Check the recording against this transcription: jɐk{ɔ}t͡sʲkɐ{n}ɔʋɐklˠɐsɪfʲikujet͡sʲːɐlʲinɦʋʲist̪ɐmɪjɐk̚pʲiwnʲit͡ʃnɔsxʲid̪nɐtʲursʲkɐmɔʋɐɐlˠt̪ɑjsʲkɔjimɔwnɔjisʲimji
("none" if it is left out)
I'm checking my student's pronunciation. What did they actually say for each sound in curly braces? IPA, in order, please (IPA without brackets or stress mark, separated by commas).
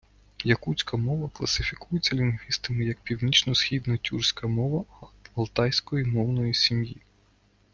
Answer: u, m